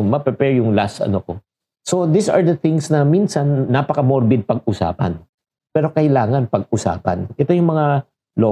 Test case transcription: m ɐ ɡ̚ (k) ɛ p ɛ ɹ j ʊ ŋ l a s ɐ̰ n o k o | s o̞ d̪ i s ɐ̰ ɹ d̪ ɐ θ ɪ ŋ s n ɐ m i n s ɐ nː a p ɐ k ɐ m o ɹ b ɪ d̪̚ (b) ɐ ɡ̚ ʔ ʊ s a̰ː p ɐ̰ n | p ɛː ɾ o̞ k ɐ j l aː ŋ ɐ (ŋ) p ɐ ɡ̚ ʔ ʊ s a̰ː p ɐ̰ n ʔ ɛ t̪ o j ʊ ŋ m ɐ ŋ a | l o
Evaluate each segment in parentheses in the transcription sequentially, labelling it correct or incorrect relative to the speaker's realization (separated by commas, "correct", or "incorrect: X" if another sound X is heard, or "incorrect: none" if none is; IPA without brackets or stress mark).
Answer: incorrect: p, incorrect: p, incorrect: n